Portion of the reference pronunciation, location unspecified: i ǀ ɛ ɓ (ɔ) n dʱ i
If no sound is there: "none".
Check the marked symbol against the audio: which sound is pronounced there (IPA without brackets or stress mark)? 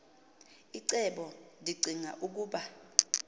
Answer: ɔ